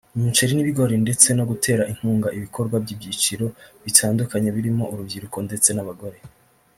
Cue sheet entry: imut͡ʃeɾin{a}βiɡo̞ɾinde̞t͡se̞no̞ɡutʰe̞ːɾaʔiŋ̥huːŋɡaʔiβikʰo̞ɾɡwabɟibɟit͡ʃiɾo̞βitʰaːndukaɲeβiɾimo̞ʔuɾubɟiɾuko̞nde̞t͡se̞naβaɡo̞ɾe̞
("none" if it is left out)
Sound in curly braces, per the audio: i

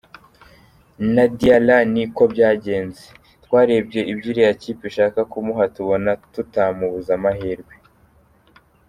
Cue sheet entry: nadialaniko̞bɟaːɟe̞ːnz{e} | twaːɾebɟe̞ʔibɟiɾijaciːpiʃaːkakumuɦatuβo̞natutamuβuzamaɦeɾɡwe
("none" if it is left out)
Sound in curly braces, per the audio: e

